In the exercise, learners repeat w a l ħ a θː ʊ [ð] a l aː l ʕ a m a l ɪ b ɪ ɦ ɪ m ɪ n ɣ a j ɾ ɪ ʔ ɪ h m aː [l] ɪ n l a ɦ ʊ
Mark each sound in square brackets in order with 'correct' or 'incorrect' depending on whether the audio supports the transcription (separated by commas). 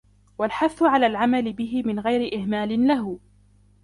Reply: incorrect, correct